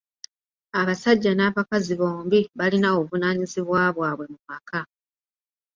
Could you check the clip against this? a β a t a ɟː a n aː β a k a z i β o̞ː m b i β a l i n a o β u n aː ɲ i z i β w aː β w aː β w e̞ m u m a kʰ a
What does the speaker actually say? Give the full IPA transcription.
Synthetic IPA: a β a s a ɟː a n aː β a k a z i β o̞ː m b i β a l i n a o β u n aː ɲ i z i β w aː β w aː β w e̞ m u m a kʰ a